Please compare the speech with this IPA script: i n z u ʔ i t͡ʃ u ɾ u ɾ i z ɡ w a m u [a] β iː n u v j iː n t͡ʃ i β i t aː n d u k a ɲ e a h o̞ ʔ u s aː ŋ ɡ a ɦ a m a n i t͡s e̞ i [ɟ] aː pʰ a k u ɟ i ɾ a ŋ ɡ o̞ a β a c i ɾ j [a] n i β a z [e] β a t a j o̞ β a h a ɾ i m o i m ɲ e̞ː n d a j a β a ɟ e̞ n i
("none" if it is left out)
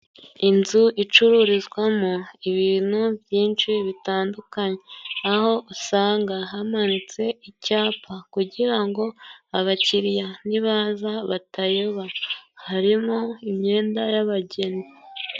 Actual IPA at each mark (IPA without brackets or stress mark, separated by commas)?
i, c, a, a